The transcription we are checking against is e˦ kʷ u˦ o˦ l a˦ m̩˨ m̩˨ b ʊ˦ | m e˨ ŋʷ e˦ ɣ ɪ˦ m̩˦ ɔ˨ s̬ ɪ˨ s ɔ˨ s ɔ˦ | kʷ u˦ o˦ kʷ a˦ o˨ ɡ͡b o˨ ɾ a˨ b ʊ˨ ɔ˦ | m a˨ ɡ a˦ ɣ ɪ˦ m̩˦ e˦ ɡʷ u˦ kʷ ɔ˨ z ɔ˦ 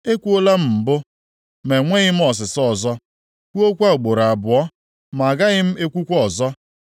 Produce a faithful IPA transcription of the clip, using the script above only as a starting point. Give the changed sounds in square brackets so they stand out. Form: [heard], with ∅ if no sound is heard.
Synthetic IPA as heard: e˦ kʷ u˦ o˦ l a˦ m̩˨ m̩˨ b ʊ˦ | m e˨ ŋʷ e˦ ɣ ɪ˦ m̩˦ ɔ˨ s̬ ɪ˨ s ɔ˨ [z] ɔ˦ | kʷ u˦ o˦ kʷ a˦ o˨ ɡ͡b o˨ ɾ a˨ b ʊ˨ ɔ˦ | m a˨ ɡ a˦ ɣ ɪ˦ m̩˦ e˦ [kʷ] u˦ kʷ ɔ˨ z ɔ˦